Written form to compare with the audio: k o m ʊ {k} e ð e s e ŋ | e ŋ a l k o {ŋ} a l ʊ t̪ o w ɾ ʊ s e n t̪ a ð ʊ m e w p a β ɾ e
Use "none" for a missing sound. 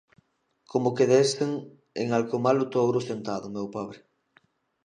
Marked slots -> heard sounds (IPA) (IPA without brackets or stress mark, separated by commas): k, m